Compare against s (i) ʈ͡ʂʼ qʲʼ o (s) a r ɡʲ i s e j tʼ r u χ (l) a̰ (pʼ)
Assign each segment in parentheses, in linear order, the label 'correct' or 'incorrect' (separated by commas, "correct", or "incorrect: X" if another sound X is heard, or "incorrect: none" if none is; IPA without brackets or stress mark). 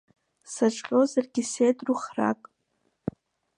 incorrect: a, incorrect: z, incorrect: r, incorrect: kʼ